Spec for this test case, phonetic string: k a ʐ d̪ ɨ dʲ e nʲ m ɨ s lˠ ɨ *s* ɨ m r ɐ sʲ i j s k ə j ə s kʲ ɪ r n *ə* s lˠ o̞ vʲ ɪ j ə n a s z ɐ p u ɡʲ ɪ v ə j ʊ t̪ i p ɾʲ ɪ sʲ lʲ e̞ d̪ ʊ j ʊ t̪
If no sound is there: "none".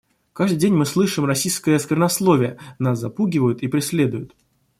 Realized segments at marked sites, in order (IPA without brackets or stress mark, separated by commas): ʂ, ɐ